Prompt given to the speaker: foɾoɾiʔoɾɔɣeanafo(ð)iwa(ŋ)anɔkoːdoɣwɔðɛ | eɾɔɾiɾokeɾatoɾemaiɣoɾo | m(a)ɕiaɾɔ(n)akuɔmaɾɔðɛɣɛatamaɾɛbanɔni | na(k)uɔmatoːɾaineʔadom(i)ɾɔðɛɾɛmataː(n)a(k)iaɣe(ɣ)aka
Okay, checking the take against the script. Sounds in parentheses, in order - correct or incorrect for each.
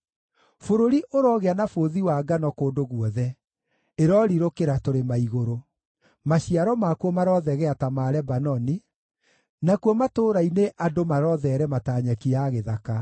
correct, incorrect, correct, incorrect, correct, incorrect, incorrect, correct, incorrect

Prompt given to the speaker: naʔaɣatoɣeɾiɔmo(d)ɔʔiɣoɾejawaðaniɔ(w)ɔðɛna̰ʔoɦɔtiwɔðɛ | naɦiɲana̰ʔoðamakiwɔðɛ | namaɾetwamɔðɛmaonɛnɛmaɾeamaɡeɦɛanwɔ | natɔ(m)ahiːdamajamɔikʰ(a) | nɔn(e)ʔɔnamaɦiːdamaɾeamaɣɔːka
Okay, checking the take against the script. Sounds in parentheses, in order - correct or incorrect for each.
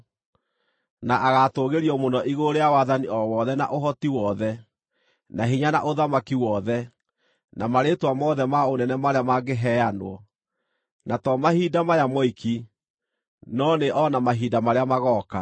incorrect, correct, correct, incorrect, correct

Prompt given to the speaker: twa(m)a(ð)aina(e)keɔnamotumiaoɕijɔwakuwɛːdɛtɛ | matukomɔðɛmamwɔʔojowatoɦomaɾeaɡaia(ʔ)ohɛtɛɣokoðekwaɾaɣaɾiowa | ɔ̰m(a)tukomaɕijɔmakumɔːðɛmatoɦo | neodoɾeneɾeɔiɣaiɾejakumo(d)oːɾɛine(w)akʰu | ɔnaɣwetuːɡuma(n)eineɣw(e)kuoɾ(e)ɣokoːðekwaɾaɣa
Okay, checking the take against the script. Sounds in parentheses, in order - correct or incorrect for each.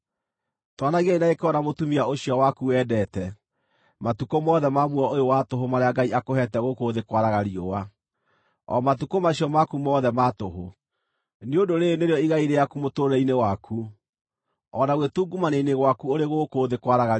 incorrect, incorrect, correct, incorrect, correct, incorrect, correct, correct, incorrect, correct

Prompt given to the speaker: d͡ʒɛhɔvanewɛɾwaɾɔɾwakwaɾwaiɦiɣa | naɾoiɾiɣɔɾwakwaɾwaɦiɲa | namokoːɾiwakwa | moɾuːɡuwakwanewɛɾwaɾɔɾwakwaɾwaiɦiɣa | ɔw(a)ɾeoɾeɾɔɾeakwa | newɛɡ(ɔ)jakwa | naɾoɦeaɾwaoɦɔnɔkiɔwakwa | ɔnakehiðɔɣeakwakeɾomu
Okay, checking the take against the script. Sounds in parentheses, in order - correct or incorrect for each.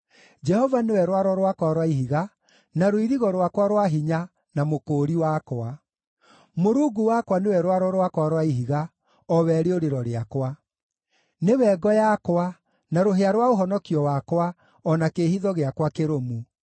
incorrect, correct

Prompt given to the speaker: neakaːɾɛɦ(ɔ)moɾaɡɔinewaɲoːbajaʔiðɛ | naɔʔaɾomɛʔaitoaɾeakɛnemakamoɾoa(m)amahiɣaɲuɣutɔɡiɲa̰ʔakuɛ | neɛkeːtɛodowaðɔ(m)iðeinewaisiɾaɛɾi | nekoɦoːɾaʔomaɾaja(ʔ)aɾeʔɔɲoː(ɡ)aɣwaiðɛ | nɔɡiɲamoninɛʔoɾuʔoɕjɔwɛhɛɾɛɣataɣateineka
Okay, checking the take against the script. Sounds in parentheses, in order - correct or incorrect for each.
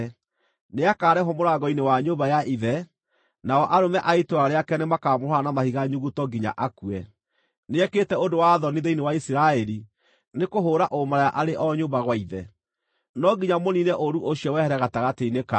correct, incorrect, incorrect, correct, incorrect

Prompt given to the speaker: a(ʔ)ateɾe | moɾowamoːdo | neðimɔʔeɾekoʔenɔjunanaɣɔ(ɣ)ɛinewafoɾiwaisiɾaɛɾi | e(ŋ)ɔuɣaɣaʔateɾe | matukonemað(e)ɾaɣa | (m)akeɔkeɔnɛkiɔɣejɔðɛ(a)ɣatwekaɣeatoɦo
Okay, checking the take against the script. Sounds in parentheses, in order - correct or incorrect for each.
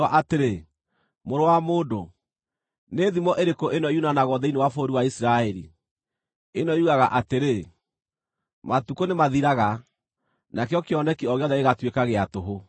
correct, incorrect, incorrect, incorrect, incorrect, incorrect

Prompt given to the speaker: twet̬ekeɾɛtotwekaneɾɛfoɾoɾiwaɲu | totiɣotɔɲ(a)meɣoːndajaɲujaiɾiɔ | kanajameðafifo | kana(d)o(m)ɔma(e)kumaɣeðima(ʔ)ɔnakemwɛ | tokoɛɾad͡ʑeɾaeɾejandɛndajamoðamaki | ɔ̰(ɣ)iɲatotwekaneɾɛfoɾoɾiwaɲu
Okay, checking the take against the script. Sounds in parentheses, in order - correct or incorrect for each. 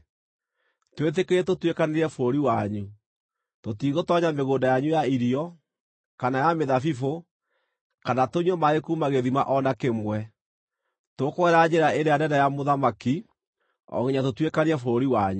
correct, incorrect, incorrect, correct, correct, correct

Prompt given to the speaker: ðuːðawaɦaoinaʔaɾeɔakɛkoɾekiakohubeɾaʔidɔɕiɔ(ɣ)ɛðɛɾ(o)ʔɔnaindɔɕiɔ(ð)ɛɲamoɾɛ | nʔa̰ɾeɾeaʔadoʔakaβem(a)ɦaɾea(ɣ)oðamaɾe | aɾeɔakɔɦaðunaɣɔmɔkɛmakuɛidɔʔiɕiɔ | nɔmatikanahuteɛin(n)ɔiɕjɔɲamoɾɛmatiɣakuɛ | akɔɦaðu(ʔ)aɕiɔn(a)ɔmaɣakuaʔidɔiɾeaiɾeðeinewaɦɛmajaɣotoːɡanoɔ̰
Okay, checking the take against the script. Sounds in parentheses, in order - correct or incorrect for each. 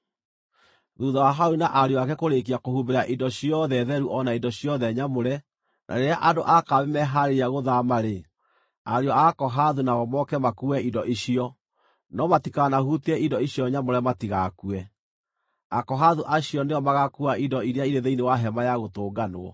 incorrect, incorrect, correct, incorrect, correct, incorrect, correct, incorrect

